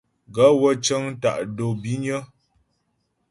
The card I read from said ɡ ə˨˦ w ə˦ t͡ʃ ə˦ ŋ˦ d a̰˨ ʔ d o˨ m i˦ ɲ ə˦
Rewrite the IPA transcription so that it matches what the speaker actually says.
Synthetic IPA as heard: ɡ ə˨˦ w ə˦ t͡ʃ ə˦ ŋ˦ t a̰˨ ʔ d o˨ b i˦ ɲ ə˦